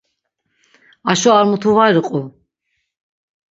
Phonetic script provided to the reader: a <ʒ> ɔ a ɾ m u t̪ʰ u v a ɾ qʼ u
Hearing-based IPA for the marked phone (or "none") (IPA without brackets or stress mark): ʃ